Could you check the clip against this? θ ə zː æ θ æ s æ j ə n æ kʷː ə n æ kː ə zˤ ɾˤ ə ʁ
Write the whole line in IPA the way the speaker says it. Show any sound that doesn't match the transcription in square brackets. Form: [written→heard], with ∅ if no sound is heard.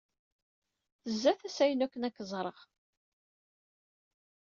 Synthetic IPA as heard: θ ə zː æ θ æ s æ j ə n æ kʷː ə n æ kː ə zˤ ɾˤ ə ʁ